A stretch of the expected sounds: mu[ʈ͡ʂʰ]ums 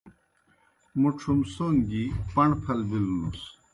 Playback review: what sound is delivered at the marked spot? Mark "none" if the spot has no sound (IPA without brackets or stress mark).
ʈ͡ʂʰ